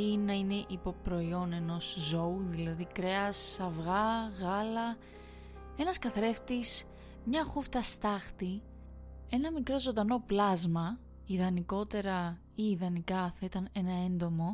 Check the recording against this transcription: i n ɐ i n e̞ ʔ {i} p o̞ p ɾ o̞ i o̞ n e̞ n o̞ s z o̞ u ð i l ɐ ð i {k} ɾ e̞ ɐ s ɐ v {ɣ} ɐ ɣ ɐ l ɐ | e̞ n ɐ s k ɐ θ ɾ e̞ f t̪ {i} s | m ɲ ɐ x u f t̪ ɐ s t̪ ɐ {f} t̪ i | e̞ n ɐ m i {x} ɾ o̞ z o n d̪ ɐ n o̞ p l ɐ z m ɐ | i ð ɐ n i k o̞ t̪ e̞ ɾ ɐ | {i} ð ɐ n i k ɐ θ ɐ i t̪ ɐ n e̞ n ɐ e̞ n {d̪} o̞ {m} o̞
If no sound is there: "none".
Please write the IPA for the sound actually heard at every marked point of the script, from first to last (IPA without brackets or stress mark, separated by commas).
i, k, ɣ, i, x, k, iː, d̪, m